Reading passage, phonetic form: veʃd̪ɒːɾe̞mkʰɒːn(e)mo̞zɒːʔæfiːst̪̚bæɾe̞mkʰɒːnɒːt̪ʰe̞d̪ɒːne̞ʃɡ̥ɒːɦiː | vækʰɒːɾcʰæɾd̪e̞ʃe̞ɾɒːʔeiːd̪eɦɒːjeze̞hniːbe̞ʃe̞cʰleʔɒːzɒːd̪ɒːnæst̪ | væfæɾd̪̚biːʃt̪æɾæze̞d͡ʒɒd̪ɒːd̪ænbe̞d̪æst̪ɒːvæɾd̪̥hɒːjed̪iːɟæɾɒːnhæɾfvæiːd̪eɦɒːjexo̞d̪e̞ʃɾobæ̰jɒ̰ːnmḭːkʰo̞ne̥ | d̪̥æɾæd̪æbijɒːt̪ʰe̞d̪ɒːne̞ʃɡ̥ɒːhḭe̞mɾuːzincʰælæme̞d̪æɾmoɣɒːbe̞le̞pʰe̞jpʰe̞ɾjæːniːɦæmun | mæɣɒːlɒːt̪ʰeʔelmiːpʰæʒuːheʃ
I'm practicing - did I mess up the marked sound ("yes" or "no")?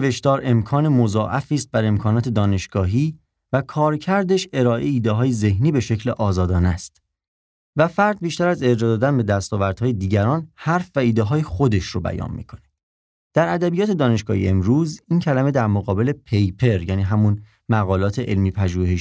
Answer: no